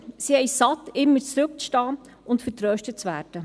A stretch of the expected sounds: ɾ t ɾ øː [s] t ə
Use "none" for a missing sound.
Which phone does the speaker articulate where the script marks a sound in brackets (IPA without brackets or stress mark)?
ʃ